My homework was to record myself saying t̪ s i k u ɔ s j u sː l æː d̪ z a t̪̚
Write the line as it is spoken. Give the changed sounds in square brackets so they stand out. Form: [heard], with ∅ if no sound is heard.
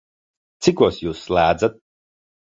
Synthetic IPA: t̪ s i k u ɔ s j [uː] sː l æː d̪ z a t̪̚